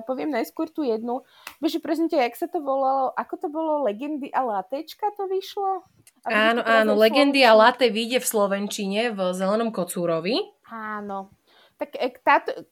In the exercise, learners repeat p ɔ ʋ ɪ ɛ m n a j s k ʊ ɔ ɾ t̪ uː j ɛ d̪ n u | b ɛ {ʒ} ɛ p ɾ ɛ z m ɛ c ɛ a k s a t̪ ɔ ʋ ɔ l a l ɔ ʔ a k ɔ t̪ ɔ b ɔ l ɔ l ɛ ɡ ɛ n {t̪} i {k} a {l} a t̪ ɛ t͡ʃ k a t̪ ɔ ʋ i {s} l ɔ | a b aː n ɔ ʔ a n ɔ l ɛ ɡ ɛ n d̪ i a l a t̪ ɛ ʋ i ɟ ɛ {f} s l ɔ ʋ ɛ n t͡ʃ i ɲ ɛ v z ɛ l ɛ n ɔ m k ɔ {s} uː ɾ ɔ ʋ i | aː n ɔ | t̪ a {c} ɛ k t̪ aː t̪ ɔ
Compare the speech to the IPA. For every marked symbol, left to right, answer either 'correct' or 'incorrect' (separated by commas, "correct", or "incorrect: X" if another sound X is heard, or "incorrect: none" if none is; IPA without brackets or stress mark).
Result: correct, incorrect: d̪, incorrect: ʔ, correct, incorrect: ʃ, correct, incorrect: t͡s, incorrect: k